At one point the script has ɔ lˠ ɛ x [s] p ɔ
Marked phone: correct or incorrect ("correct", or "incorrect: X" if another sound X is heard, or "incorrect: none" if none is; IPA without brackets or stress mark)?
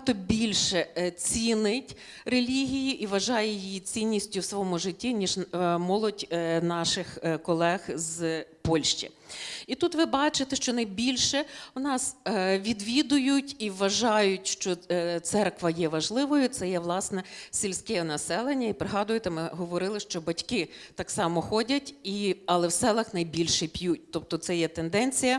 incorrect: z